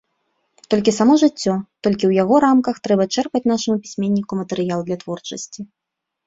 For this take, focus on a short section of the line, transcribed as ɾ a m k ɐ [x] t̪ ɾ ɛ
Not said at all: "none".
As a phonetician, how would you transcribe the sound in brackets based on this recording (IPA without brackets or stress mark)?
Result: x